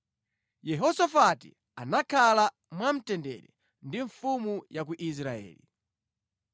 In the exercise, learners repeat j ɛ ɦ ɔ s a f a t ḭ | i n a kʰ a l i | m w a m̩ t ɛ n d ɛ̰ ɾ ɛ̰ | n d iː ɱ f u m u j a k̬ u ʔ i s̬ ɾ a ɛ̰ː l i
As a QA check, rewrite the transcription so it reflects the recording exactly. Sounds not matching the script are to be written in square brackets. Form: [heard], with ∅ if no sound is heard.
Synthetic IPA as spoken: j ɛ ɦ ɔ s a f a t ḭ | [a] n a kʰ a l [a] | m w a m̩ t ɛ n d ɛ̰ ɾ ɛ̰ | n d [i] ɱ f u m u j a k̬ u ʔ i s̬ ɾ a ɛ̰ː l i